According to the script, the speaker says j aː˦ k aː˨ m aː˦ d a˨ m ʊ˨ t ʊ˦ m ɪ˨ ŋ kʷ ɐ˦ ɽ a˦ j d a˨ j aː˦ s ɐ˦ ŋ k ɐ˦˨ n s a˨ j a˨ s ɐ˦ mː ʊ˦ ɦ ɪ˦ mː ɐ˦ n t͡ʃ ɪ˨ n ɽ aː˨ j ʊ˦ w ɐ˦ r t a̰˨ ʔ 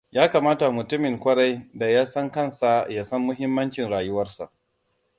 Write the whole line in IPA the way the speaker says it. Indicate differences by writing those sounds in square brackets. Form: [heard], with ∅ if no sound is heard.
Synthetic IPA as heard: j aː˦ k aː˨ m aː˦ [t] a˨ m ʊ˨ t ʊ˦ m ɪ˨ ŋ kʷ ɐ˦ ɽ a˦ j d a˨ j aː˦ s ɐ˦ ŋ k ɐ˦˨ n s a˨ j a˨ s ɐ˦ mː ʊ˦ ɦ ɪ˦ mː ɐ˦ n t͡ʃ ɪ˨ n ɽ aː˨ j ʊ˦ w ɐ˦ r [s] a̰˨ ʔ